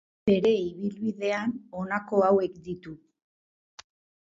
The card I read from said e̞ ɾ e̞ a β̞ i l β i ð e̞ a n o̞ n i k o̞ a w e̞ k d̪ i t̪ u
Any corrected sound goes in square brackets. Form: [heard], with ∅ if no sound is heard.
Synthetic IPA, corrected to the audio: e̞ ɾ e̞ [i] β̞ i l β i ð e̞ a n o̞ n [a] k o̞ a w e̞ k d̪ i t̪ u

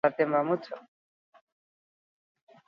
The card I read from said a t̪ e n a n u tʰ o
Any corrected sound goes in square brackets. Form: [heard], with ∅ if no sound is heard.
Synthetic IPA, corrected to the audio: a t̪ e [m] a [m] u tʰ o

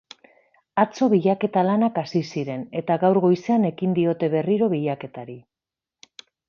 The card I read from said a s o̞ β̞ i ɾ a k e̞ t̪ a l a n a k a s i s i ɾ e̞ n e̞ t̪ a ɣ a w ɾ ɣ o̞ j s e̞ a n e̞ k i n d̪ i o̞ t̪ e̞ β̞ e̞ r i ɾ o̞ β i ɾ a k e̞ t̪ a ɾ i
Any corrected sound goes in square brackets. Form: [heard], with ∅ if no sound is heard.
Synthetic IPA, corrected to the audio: a [t͡s] o̞ β̞ i [ʎ] a k e̞ t̪ a l a n a k a s i s i ɾ e̞ n e̞ t̪ a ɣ a w ɾ ɣ o̞ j s e̞ a n e̞ k i n d̪ i o̞ t̪ e̞ β̞ e̞ r i ɾ o̞ β i [ʎ] a k e̞ t̪ a ɾ i

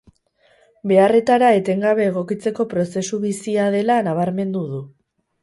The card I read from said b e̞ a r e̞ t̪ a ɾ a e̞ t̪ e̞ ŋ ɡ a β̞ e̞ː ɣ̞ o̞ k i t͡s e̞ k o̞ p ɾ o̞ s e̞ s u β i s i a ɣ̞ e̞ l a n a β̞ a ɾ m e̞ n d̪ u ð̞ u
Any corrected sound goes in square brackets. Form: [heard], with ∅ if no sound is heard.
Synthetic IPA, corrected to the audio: b e̞ a r e̞ t̪ a ɾ a e̞ t̪ e̞ ŋ ɡ a β̞ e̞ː ɣ̞ o̞ k i t͡s e̞ k o̞ p ɾ o̞ s e̞ s u β i s i a [ð̞] e̞ l a n a β̞ a ɾ m e̞ n d̪ u ð̞ u

